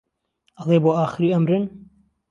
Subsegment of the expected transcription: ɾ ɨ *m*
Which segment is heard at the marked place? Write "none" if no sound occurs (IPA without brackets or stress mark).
n